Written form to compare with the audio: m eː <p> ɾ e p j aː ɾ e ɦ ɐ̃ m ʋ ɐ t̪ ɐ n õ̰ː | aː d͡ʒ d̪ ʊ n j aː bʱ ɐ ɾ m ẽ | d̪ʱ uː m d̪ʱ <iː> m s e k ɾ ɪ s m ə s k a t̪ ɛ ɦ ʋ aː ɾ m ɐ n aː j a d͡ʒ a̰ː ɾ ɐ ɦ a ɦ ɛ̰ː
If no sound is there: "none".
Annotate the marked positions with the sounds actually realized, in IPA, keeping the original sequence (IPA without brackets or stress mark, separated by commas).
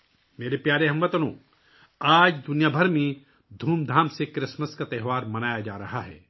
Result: none, aː